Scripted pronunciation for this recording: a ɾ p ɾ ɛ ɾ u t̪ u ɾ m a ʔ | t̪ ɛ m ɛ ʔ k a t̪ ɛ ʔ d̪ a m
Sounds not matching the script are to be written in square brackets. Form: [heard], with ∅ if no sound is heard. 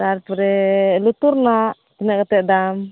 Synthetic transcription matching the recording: a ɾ p ɾ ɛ [l] u t̪ u ɾ [n] a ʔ | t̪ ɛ [n] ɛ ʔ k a t̪ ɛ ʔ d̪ a m